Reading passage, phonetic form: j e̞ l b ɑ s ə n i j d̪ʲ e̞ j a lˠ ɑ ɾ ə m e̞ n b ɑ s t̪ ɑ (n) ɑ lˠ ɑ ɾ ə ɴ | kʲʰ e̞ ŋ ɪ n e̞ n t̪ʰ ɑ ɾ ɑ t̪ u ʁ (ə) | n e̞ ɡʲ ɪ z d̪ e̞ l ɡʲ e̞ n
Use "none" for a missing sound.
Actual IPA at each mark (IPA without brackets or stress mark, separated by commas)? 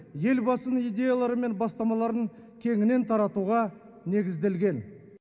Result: m, ɑ